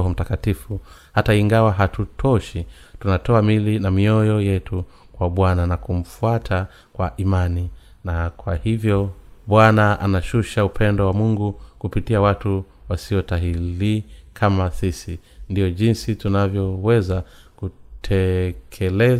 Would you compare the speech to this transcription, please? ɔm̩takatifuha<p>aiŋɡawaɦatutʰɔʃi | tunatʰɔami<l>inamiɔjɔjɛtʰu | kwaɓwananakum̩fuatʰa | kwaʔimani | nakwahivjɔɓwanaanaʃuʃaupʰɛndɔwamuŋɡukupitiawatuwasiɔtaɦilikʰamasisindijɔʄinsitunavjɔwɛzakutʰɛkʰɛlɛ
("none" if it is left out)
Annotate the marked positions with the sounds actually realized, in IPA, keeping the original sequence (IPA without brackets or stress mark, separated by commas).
t, l